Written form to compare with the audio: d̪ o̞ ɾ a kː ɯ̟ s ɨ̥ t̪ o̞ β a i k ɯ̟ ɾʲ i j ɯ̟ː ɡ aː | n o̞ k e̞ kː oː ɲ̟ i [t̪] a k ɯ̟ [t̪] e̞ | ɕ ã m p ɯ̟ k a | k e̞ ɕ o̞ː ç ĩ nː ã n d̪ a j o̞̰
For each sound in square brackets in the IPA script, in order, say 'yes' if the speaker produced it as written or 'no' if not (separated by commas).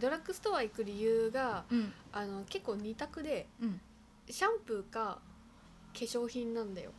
yes, no